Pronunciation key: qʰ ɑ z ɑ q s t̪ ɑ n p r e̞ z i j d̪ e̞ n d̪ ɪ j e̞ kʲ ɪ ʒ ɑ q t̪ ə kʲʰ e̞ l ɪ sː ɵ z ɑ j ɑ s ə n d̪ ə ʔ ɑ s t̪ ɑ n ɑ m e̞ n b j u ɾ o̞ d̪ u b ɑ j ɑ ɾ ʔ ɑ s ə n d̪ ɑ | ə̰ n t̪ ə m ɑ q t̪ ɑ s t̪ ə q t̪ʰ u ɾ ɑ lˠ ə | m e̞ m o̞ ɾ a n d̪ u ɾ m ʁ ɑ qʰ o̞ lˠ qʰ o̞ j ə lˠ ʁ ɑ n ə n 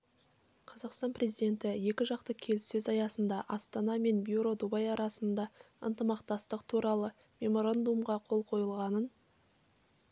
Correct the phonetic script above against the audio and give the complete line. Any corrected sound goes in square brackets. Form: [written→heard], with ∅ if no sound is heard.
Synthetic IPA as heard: qʰ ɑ z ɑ q s t̪ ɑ n p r e̞ z i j d̪ e̞ n [d̪→t̪] ɪ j e̞ kʲ ɪ ʒ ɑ q t̪ ə kʲʰ e̞ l ɪ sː ɵ z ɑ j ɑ s ə n d̪ [ə→ɑ] ʔ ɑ s t̪ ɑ n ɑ m e̞ n b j u ɾ o̞ d̪ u b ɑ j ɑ ɾ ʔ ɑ s ə n d̪ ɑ | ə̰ n t̪ ə m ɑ q t̪ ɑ s t̪ ə q t̪ʰ u ɾ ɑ lˠ ə | m e̞ m o̞ ɾ a n d̪ u [ɾ→∅] m ʁ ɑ qʰ o̞ lˠ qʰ o̞ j ə lˠ ʁ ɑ n ə n